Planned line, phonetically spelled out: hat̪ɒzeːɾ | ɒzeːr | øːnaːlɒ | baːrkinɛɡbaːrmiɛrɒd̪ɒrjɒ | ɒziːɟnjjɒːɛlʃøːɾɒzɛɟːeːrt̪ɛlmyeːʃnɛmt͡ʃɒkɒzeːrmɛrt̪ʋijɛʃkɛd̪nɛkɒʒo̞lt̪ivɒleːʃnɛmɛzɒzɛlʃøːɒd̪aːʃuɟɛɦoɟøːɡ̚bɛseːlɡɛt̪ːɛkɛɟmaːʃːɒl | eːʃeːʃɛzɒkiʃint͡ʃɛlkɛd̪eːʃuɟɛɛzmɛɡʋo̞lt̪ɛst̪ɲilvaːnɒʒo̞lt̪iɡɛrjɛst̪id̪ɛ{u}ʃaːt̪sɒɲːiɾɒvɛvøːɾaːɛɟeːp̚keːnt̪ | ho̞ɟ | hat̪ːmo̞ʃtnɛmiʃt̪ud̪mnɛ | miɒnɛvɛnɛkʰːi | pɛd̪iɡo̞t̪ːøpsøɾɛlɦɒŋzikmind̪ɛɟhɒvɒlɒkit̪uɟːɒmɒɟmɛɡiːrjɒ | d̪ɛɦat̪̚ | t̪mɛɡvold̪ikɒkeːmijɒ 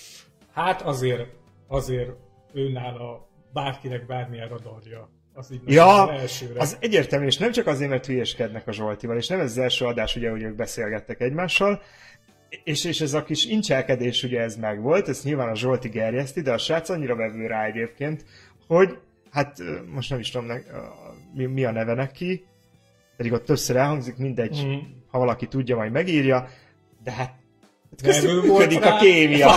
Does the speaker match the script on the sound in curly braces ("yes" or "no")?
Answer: no